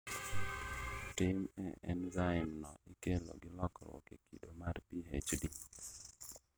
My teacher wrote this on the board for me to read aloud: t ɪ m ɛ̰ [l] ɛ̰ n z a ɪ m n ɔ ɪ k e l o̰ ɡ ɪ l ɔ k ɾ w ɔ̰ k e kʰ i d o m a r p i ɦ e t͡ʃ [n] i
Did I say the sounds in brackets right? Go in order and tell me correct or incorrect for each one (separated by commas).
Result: incorrect, incorrect